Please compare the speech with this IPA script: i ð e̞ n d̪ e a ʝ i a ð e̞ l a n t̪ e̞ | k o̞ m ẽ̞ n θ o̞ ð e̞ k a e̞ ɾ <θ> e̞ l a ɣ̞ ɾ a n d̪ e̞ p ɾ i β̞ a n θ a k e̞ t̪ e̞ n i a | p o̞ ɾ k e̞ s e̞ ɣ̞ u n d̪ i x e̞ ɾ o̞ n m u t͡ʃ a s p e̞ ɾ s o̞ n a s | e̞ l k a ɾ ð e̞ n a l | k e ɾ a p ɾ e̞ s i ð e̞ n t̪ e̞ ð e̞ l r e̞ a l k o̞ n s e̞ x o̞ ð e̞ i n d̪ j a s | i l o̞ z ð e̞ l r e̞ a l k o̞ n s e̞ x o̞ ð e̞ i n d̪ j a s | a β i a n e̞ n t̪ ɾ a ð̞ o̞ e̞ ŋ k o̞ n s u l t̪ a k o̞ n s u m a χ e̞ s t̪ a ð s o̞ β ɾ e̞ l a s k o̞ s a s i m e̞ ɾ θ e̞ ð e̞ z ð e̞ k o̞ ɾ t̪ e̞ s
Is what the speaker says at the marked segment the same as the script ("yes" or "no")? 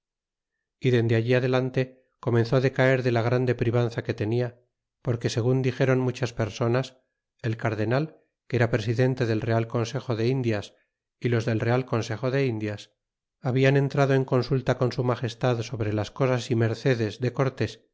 no